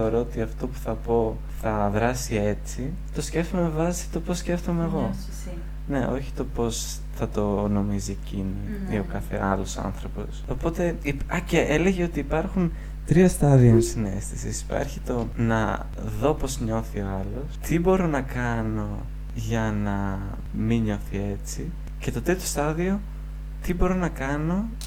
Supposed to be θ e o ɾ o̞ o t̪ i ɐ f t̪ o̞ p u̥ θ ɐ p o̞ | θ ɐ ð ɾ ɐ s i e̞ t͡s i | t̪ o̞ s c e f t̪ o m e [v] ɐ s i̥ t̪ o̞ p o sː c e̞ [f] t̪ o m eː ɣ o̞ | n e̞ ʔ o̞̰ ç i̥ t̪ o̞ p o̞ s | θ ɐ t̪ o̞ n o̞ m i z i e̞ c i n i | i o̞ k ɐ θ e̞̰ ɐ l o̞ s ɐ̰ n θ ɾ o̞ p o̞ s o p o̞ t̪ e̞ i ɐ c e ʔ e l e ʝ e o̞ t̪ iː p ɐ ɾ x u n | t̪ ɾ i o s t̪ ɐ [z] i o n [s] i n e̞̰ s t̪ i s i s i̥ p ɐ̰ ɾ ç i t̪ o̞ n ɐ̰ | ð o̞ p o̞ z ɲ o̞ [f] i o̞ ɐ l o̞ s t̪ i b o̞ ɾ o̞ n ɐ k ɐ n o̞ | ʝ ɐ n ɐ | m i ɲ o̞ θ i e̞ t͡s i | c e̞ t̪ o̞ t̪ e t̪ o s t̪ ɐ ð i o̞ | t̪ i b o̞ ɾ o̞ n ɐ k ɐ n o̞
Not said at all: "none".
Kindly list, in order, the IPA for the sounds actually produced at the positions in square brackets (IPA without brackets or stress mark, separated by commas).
v, f, ð, s, θ